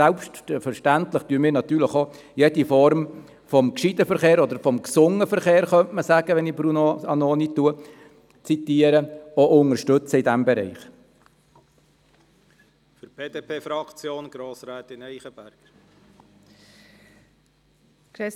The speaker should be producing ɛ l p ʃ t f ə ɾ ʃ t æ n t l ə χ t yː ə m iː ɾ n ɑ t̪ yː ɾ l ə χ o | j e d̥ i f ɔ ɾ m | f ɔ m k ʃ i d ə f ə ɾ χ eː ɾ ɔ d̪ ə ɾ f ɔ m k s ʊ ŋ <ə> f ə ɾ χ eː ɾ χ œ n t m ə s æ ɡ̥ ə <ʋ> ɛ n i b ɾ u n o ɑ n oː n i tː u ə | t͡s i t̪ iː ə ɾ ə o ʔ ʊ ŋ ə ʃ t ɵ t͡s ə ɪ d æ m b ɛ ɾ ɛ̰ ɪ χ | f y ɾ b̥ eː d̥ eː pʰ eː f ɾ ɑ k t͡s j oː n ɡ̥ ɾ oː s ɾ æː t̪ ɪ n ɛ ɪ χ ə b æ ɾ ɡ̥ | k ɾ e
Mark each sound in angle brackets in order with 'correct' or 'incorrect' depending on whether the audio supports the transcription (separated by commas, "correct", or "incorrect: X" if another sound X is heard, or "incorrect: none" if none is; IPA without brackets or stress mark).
correct, correct